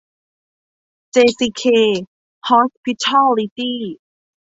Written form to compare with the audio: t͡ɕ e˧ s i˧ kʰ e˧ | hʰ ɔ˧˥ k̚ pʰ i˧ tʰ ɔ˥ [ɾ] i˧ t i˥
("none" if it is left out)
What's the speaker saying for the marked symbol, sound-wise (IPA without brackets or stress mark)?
l